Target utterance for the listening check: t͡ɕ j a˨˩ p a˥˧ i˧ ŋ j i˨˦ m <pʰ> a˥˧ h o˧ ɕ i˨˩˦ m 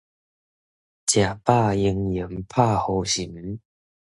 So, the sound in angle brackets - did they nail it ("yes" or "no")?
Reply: yes